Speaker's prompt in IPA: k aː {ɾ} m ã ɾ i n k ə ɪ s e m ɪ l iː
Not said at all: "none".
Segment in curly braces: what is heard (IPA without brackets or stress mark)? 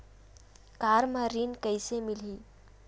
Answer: ɾ